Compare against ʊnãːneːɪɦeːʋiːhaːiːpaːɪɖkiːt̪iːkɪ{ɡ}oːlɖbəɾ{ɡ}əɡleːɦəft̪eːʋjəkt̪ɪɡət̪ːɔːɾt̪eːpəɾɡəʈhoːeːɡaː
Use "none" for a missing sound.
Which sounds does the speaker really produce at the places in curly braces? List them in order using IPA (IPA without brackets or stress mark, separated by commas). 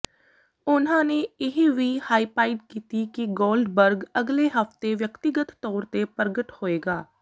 ɡ, ɡ